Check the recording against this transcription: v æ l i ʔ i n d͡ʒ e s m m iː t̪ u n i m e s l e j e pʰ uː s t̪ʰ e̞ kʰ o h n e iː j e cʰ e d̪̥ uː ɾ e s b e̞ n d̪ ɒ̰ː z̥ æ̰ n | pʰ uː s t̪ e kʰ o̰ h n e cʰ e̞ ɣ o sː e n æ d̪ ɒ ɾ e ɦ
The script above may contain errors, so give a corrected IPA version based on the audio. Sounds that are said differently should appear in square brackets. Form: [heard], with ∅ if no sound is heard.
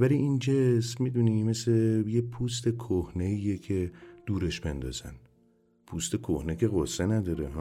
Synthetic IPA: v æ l i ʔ i n d͡ʒ e s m m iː [d̪] u n i m e s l e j e pʰ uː s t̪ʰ e̞ kʰ o h n e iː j e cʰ e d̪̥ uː ɾ e [ʃ] b e̞ n d̪ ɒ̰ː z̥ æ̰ n | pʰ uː s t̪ e kʰ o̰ h n e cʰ e̞ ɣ o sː e n æ d̪ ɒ ɾ e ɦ